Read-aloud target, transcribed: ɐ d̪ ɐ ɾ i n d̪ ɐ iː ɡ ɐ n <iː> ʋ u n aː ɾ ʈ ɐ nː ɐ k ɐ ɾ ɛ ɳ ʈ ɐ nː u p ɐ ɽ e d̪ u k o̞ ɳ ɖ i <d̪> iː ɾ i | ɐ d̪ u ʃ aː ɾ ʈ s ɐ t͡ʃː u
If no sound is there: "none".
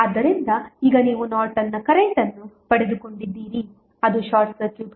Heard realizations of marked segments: iː, d̪ː

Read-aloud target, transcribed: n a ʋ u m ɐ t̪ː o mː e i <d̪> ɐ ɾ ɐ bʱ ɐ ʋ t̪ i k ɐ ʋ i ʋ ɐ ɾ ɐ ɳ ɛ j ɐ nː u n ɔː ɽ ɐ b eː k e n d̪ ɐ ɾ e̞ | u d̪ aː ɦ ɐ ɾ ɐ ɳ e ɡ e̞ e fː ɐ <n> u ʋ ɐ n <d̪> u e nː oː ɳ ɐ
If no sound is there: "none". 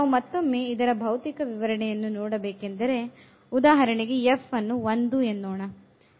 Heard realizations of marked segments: d̪, nː, d̪

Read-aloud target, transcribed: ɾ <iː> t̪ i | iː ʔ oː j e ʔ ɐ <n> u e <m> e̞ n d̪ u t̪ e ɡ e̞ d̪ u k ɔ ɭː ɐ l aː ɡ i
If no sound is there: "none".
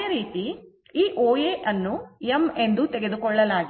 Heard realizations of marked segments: iː, nː, m

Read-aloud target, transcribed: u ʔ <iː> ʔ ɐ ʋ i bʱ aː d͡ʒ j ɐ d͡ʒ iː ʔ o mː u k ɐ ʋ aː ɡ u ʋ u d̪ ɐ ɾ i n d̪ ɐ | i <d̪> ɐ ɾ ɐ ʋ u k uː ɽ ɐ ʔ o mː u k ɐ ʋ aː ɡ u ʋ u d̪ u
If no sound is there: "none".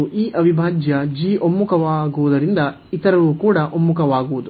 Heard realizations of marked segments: iː, t̪

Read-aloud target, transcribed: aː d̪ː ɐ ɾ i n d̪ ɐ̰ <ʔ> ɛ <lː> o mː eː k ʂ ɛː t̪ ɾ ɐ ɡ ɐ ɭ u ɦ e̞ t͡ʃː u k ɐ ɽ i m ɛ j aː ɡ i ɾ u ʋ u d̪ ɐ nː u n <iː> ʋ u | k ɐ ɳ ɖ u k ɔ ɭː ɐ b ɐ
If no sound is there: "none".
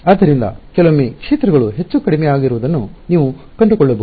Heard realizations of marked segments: k, l, iː

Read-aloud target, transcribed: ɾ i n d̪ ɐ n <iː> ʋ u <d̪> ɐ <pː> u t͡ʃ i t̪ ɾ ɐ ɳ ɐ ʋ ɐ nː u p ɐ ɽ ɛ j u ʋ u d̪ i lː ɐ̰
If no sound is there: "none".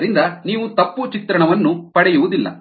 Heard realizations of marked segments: iː, t̪, pː

